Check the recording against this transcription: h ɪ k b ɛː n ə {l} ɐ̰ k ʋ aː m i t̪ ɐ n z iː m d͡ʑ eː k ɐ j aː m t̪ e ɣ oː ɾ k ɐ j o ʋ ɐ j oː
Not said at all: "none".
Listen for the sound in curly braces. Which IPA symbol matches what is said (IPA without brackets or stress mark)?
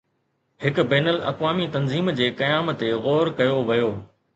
l